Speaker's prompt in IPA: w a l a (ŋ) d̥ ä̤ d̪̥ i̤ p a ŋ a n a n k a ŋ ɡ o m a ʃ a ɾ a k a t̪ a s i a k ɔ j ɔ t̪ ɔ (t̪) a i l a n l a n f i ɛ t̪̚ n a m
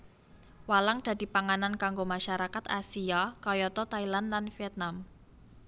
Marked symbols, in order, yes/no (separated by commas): yes, yes